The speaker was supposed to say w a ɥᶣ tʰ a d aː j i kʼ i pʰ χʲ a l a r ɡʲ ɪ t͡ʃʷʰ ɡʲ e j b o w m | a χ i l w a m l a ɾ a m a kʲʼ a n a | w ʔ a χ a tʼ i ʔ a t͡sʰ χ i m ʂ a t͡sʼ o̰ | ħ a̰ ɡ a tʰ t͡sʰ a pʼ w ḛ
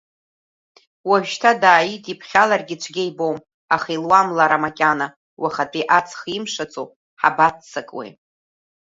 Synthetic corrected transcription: w a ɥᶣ tʰ a d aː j i tʼ i pʰ χʲ a l a r ɡʲ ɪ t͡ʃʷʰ ɡʲ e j b o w m | a χ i l w a m l a ɾ a m a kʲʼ a n a | w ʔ a χ a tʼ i ʔ a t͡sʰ χ i m ʂ a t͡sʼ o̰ | ħ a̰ b a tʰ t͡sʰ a kʼ w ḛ